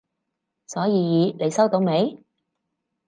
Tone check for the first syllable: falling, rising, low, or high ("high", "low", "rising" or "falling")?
rising